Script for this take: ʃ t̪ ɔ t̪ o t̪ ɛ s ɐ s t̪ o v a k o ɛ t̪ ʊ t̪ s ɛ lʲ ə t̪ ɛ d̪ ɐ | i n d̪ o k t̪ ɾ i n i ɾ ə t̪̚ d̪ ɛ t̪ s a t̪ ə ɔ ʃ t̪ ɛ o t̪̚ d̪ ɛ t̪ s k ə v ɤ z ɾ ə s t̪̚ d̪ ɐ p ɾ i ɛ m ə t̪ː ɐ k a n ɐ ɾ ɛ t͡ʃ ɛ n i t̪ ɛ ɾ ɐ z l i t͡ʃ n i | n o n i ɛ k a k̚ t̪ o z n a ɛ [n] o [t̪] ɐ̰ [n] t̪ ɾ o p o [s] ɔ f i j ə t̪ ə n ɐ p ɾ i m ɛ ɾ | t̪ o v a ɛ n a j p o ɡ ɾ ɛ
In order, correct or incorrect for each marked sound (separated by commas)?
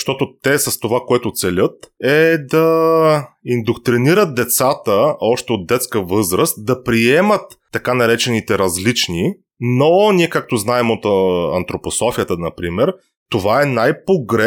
incorrect, correct, correct, correct